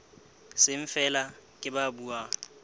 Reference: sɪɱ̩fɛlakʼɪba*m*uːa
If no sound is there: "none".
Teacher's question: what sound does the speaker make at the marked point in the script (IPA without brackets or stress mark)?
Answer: b